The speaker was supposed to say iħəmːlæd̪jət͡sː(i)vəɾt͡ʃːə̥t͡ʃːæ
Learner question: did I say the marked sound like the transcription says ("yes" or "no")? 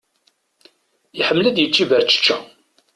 yes